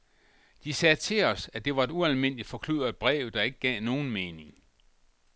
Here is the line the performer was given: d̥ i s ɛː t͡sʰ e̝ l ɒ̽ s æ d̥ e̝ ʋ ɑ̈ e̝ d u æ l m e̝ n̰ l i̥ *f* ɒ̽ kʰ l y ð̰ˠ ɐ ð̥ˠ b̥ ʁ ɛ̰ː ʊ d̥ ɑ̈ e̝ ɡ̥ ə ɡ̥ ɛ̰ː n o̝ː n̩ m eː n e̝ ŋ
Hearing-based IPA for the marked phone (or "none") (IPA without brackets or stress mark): f